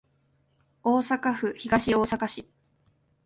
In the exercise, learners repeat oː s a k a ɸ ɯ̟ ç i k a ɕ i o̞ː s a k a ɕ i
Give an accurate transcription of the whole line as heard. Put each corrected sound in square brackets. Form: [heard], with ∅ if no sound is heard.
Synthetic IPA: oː s a k a ɸ ɯ̟ ç i [ɡ] a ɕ i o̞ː s a k a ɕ i